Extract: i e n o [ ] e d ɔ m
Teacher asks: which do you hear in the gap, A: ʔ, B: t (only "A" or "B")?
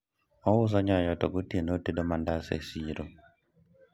B